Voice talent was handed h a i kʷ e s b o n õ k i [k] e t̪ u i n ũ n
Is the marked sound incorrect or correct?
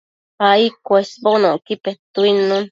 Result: incorrect